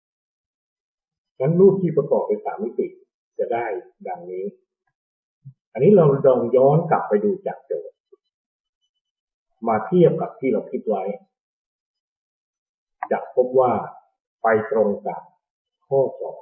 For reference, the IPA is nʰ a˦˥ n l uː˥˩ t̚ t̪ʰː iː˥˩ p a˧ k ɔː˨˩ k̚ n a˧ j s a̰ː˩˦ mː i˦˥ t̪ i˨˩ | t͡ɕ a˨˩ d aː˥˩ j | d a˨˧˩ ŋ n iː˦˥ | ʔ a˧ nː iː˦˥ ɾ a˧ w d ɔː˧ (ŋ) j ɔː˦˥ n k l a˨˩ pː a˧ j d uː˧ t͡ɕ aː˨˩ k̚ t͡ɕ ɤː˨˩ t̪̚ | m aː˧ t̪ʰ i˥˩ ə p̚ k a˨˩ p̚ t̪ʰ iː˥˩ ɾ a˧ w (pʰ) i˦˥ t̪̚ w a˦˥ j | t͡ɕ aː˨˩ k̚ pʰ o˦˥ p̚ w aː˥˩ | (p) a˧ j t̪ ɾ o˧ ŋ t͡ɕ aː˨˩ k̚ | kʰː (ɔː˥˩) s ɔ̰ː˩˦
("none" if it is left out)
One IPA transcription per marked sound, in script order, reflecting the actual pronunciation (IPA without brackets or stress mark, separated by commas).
ŋ, kʰ, p, ɔː˥˩